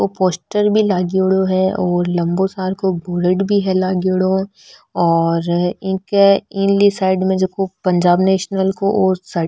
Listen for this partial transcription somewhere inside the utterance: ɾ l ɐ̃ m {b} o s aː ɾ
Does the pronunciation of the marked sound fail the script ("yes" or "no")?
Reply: no